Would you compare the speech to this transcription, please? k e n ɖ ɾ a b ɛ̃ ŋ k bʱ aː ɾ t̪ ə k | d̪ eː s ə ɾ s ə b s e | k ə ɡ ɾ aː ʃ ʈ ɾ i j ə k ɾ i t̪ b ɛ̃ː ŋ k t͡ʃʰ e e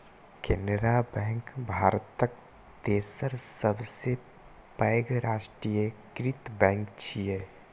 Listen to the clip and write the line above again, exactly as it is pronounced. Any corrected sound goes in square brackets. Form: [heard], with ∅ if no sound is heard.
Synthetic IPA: k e n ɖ ɾ a b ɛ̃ ŋ k bʱ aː ɾ t̪ ə k | [t̪] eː s ə ɾ s ə b s e | [p] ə ɡ ɾ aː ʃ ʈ ɾ i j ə k ɾ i t̪ b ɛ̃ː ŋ k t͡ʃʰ [i] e